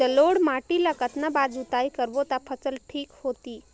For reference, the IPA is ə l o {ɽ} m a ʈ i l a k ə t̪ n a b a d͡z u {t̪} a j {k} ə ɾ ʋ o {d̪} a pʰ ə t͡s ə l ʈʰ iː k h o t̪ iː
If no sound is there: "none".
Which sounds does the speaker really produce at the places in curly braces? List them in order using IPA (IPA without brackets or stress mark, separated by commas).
ɽ, t̪, k, t̪